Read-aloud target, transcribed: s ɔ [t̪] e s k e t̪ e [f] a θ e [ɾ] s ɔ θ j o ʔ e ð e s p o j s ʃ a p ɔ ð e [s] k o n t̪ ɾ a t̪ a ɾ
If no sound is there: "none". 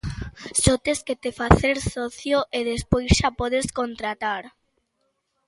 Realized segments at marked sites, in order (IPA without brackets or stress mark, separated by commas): t̪, f, ɾ, s